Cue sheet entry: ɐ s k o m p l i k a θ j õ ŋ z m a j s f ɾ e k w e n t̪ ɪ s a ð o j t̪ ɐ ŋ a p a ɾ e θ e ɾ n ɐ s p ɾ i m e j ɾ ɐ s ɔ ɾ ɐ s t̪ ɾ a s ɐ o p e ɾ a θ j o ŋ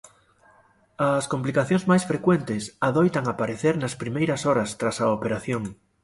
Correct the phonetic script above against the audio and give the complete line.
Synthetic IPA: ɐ s k o m p l i k a θ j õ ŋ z m a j s f ɾ e k w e n t̪ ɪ s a ð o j t̪ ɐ ŋ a p a ɾ e θ e ɾ n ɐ s p ɾ i m e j ɾ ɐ s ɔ ɾ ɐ s t̪ ɾ a s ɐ o p e ɾ a θ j o ŋ